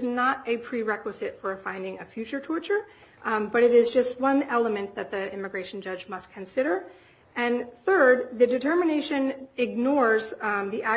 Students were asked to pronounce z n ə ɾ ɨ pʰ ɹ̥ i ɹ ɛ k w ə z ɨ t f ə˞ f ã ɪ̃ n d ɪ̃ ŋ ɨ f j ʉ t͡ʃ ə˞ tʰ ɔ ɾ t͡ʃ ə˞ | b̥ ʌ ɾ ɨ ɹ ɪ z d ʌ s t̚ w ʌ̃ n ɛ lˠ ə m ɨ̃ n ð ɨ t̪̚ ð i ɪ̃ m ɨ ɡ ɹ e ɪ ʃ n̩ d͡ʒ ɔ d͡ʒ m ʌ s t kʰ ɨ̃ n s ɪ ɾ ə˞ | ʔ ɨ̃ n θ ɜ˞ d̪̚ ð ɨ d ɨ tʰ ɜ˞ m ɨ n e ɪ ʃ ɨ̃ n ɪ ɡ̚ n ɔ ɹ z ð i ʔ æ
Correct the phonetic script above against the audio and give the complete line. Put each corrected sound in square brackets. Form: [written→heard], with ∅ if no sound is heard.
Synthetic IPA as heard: z n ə ɾ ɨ pʰ ɹ̥ i ɹ ɛ k w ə z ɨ t f ə˞ f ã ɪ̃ n d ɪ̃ ŋ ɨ f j ʉ t͡ʃ ə˞ tʰ ɔ [ɾ→ɹ] t͡ʃ ə˞ | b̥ ʌ ɾ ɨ [ɹ→ɾ] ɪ z [d→d͡ʒ] ʌ s t̚ w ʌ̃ n ɛ lˠ ə m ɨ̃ n ð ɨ t̪̚ ð i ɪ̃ m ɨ ɡ ɹ e ɪ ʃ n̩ d͡ʒ [ɔ→ʌ] d͡ʒ m ʌ s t kʰ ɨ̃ n s ɪ ɾ ə˞ | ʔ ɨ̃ n θ ɜ˞ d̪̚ ð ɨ d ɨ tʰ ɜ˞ m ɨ n e ɪ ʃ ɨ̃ n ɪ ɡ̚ n ɔ ɹ z ð i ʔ æ